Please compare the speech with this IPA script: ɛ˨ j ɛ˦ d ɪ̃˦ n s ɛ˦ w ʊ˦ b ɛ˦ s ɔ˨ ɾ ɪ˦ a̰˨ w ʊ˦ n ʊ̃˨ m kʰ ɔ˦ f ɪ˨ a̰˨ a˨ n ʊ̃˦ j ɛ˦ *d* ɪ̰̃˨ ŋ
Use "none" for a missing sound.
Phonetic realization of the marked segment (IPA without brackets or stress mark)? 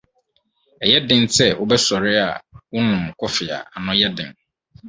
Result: d